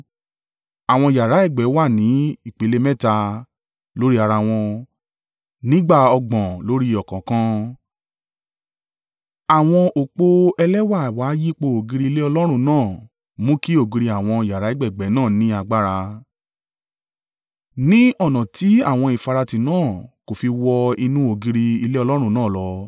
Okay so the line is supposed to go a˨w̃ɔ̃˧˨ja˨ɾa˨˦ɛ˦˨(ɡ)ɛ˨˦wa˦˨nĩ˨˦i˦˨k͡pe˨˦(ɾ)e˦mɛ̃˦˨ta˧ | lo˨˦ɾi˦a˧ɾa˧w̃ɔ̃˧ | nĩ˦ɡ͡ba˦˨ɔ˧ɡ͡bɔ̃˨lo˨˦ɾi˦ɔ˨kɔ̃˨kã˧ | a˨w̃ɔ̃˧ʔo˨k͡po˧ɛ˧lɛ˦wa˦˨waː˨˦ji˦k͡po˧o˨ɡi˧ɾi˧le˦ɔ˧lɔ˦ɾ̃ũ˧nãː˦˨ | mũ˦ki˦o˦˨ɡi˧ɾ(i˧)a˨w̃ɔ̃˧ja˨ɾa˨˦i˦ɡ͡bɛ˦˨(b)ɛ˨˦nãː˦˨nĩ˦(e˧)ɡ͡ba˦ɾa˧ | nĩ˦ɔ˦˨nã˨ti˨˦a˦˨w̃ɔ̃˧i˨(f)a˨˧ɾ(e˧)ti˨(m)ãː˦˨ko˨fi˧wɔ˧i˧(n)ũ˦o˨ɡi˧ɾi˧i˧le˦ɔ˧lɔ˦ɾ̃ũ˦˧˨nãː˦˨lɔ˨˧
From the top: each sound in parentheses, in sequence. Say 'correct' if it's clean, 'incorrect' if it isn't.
incorrect: ɡ͡b, incorrect: l, correct, incorrect: ɡ͡b, incorrect: a˧, correct, incorrect: a˧, incorrect: n, correct

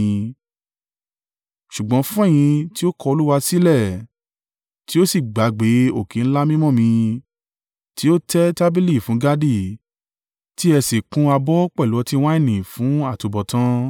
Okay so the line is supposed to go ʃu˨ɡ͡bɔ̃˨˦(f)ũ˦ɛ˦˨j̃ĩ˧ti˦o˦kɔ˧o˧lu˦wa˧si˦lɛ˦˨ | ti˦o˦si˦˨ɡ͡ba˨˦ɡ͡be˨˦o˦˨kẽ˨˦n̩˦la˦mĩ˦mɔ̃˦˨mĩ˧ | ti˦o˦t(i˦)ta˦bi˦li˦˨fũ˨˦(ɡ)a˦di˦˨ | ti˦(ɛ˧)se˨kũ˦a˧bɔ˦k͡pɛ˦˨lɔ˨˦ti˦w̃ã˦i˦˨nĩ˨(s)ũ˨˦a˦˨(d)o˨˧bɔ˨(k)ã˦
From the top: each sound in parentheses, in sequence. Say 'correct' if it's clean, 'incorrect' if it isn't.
correct, incorrect: ɛ˦, correct, correct, incorrect: f, incorrect: t, incorrect: t

